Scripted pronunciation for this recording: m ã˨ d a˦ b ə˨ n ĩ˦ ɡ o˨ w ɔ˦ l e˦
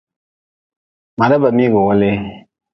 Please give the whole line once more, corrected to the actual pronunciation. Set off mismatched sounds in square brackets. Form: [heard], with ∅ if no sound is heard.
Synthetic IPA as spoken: m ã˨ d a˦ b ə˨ [m] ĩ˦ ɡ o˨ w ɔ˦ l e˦